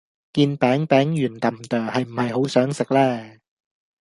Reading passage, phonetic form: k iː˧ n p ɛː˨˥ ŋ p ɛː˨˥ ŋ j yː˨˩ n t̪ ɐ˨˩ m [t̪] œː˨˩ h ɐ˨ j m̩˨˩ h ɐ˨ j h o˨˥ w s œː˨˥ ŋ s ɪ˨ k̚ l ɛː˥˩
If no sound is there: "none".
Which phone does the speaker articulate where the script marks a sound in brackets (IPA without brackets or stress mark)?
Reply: t̪